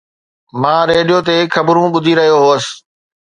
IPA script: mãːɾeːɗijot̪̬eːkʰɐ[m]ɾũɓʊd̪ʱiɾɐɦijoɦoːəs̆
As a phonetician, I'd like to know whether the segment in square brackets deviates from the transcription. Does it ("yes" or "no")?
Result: yes